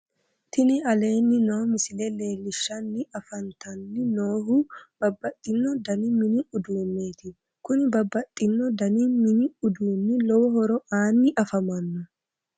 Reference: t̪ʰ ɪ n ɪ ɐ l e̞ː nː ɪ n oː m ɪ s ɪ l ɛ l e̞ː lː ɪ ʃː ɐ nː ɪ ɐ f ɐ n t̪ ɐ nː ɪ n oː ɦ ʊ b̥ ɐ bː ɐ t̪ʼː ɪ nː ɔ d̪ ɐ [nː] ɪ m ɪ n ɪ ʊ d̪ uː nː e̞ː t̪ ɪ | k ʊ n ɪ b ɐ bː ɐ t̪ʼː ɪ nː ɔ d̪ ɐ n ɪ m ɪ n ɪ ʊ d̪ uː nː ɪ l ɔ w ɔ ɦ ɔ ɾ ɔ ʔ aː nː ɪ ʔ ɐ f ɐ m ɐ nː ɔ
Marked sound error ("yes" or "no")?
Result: yes